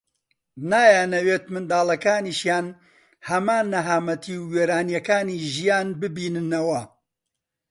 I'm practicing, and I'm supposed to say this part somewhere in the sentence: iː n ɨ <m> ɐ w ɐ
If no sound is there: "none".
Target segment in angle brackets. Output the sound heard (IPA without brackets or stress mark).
n